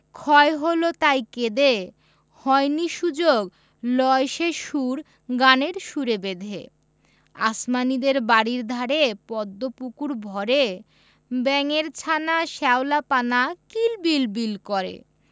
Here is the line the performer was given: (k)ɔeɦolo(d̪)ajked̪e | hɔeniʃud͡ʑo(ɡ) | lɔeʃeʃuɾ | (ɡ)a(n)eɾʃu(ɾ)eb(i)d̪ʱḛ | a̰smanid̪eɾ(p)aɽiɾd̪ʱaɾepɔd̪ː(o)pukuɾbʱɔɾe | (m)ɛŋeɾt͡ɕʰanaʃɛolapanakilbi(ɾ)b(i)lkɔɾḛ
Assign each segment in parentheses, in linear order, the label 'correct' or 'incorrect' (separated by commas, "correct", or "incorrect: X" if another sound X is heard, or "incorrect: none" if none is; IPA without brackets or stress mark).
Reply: incorrect: kʰ, incorrect: t̪, correct, correct, correct, correct, incorrect: e, incorrect: b, correct, incorrect: b, incorrect: l, correct